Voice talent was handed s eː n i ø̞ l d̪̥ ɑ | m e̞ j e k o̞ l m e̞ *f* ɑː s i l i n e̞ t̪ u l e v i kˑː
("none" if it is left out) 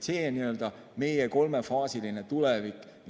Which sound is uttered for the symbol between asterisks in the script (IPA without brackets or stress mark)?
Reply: f